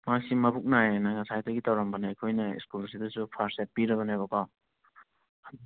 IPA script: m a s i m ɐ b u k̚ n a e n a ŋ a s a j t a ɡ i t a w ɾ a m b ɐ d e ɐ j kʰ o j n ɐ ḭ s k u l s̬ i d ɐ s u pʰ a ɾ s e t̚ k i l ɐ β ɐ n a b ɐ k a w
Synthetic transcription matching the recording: m a s i m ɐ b u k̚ n a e n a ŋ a s a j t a ɡ i t a w ɾ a m b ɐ n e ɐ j kʰ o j n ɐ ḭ s k u l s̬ i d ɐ s u pʰ a ɾ s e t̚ p i ɾ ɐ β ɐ n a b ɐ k a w